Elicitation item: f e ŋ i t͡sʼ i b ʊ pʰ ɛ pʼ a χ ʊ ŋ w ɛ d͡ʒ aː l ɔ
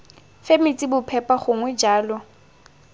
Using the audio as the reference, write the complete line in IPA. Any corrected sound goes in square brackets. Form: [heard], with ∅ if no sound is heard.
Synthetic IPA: f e [m] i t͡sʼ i b ʊ pʰ ɛ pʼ a χ ʊ ŋ w ɛ d͡ʒ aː l ɔ